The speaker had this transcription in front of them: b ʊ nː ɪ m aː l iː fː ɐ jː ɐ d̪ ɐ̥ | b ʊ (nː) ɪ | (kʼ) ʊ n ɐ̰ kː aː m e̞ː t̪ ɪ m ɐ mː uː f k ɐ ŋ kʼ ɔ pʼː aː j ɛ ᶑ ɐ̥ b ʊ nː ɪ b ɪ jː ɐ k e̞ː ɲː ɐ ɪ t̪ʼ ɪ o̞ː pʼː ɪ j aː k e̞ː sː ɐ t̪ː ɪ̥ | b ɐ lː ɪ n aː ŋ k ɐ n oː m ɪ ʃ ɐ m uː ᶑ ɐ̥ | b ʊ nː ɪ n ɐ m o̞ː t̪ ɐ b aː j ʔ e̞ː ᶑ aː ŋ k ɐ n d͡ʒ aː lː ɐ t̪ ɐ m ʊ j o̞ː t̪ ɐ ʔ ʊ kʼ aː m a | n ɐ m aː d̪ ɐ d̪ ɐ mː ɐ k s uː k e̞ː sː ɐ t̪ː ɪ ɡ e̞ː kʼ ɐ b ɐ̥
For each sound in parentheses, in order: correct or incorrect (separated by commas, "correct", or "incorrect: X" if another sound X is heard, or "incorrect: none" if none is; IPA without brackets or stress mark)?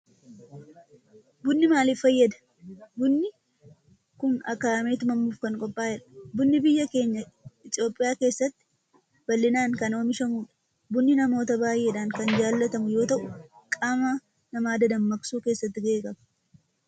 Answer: correct, incorrect: k